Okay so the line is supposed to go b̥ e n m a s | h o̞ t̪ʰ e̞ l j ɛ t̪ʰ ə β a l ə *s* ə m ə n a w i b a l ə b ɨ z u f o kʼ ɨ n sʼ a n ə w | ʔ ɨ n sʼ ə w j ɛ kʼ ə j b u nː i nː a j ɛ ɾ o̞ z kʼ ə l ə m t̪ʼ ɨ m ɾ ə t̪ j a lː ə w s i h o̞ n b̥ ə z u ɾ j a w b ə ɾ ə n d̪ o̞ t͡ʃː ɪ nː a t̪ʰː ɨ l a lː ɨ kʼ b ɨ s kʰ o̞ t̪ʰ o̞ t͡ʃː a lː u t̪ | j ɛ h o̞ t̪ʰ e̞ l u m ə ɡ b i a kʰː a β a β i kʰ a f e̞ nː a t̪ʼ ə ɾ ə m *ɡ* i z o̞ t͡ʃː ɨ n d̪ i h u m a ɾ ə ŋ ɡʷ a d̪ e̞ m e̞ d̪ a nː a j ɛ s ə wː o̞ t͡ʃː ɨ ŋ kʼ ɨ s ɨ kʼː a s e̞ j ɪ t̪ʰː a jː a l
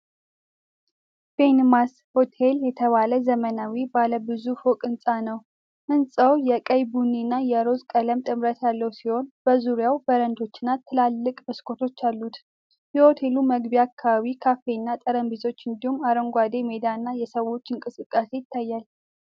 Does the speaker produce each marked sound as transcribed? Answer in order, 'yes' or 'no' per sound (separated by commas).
no, no